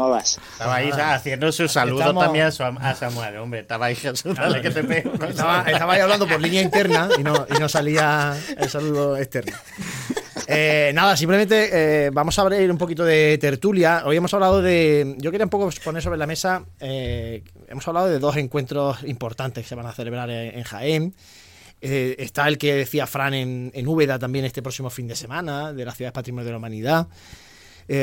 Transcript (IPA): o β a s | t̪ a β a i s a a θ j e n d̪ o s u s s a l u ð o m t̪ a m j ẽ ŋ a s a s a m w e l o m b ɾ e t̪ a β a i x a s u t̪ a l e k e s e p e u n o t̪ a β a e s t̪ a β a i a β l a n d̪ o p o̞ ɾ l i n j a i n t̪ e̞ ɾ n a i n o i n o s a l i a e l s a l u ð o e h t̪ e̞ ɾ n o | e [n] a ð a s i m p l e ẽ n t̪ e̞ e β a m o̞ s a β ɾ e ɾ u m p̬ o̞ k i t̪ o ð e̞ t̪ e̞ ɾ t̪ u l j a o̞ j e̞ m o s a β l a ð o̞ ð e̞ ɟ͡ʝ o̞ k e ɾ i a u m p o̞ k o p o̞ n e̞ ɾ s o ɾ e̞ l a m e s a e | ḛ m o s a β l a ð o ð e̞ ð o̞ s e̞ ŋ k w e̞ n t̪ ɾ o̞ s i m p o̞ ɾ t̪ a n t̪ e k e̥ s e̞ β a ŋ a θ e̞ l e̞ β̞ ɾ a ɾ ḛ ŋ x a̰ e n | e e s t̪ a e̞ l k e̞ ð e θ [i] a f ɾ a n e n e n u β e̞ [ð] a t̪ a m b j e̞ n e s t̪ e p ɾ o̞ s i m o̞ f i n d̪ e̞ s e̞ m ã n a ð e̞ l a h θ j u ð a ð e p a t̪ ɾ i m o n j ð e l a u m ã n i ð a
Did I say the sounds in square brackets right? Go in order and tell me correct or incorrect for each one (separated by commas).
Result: correct, correct, correct